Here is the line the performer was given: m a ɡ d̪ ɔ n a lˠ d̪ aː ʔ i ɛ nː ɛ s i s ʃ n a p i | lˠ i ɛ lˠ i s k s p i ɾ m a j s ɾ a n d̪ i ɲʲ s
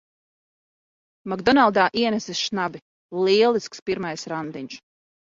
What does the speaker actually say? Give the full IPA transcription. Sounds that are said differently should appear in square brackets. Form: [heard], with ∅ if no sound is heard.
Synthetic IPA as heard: m a ɡ d̪ ɔ n a lˠ d̪ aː ʔ i ɛ [n] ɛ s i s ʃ n a [b] i | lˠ i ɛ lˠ i s k s p i ɾ m a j s ɾ a n d̪ i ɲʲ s

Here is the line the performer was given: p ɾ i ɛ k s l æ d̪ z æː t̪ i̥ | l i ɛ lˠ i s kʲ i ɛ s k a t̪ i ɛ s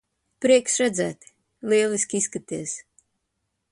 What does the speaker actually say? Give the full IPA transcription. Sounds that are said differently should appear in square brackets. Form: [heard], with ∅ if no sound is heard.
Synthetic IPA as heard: p ɾ i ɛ k s [ɾ] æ d̪ z æː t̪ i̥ | l i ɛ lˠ i s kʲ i [i] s k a t̪ i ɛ s

